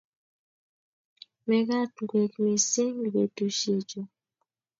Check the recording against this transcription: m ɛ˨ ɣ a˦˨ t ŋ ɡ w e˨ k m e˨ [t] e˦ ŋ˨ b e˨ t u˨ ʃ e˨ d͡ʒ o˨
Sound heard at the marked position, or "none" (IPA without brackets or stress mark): s